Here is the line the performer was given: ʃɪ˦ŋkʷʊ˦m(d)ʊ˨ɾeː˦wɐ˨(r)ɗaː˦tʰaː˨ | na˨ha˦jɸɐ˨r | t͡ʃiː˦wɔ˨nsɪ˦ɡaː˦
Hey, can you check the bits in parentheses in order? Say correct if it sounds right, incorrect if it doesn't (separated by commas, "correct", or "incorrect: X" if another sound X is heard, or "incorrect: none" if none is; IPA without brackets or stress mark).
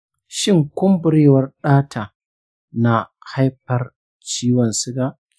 incorrect: b, correct